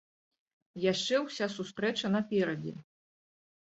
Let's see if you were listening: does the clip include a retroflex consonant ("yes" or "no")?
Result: yes